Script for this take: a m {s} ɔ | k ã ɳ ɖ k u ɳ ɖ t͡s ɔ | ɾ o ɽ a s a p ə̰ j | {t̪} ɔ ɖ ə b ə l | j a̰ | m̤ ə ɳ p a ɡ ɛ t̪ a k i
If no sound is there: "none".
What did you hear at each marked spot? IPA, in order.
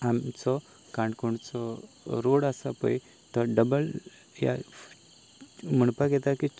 t͡s, t̪

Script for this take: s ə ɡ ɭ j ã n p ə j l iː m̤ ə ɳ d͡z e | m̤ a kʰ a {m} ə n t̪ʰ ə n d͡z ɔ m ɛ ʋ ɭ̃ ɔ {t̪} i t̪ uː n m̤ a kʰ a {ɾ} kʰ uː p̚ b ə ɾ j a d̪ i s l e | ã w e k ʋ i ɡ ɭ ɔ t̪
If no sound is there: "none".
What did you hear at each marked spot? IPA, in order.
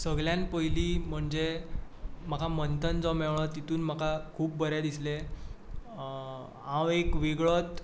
m, t̪, none

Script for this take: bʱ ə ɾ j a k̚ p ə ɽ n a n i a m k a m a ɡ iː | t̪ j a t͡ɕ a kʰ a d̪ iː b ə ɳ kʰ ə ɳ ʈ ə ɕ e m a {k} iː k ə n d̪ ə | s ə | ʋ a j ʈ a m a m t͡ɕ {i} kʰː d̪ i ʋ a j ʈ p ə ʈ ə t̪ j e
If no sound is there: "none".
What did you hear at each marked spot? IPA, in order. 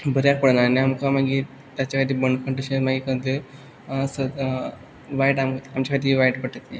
ɡ, a

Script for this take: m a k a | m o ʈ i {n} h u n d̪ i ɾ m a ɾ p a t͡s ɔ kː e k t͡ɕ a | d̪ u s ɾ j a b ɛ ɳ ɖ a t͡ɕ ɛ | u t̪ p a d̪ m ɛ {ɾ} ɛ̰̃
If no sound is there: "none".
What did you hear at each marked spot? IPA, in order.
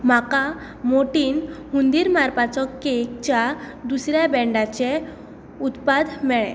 n, ɭ

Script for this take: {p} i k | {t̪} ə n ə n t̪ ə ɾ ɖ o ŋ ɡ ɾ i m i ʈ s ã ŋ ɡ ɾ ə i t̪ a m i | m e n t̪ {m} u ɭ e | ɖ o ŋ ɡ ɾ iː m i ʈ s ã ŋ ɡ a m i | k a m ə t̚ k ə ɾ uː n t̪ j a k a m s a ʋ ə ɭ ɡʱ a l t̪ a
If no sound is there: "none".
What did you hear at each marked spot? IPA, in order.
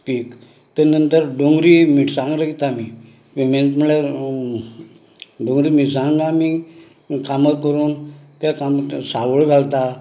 p, t̪, m

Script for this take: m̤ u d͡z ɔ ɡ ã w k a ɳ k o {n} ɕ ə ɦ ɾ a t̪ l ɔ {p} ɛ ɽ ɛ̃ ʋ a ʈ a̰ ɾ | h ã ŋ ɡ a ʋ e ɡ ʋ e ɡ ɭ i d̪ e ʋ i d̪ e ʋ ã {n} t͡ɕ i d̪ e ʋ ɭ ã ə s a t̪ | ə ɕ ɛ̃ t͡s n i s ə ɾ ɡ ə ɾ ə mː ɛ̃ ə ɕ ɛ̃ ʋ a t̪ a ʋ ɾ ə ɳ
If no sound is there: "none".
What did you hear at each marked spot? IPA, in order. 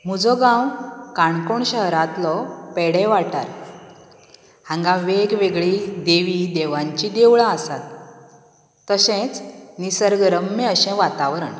ɳ, p, ɲ

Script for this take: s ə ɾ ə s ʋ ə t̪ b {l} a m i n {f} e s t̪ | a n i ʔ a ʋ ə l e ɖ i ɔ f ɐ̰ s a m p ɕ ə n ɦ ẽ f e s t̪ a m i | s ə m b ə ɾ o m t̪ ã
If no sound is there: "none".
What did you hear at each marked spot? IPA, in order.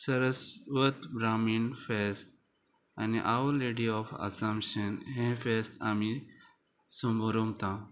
ɾ, f

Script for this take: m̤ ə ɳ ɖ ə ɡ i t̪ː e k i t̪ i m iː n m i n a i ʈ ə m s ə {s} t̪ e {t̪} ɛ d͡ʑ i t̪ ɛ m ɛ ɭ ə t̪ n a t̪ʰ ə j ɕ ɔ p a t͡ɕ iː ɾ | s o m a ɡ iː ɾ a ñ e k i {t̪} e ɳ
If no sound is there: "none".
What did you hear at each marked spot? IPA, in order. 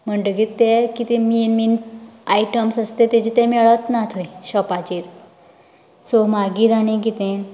s, t̪, t̪

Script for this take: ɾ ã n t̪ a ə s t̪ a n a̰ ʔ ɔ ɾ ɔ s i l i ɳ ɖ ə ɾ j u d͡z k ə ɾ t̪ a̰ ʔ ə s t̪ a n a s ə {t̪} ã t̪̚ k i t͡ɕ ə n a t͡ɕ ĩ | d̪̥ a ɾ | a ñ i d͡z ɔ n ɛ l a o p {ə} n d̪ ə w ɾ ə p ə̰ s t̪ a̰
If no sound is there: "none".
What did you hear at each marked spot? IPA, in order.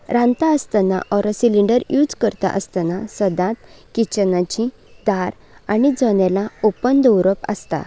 d̪, ə

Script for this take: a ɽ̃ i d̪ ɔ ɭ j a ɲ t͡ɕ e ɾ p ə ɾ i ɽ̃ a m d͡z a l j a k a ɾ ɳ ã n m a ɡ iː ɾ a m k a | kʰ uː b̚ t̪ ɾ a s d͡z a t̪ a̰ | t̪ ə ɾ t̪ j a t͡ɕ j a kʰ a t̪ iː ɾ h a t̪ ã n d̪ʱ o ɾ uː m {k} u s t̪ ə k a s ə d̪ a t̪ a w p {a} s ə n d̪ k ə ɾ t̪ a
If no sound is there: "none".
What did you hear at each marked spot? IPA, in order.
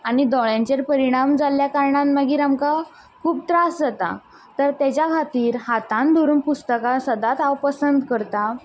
p, ə

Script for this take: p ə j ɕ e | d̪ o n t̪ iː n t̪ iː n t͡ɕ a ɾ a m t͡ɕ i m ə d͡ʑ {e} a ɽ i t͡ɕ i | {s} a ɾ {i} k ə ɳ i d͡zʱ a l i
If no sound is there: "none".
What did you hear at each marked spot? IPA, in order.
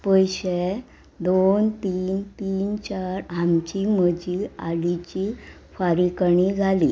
i, f, i

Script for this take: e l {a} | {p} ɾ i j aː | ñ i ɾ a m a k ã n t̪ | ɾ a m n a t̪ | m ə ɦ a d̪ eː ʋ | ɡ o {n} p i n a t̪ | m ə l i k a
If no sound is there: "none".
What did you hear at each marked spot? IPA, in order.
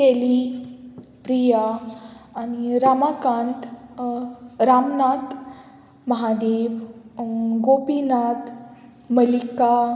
i, p, none

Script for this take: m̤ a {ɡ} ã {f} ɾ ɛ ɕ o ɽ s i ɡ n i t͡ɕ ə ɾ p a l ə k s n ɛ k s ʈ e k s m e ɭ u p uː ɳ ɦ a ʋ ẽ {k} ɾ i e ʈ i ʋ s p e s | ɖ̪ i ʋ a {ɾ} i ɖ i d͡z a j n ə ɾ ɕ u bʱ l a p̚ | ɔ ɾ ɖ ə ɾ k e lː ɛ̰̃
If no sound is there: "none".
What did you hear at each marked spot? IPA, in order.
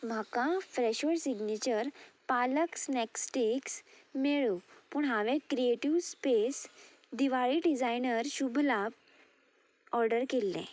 k, f, k, ɭ

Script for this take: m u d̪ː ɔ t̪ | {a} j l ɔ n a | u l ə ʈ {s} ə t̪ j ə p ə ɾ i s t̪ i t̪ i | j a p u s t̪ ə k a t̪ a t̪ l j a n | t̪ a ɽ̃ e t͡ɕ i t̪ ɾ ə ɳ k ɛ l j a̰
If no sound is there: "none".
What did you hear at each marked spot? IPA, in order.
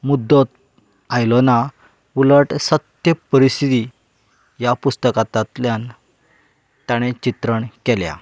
a, s

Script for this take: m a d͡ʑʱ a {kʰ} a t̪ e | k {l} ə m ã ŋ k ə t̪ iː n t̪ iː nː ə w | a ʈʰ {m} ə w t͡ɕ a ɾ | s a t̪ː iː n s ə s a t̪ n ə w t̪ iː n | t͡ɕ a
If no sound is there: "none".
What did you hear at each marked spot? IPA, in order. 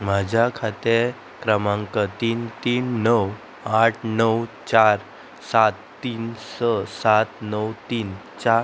kʰ, ɾ, n

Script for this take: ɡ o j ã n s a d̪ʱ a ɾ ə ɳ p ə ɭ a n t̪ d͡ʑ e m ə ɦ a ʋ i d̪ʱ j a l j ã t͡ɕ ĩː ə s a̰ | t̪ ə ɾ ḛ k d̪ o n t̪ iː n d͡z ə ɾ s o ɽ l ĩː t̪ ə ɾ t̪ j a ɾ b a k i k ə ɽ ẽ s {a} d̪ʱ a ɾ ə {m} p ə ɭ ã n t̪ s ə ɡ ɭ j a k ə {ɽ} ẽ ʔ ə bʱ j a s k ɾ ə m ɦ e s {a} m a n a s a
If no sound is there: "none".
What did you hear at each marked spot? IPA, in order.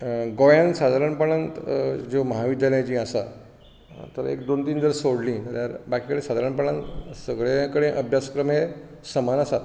a, ɳ, ɽ, ə

